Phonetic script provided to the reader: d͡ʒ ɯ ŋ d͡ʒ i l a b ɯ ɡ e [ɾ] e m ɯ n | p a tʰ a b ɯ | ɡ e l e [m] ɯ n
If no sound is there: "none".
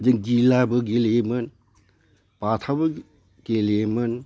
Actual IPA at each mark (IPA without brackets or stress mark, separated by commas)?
l, m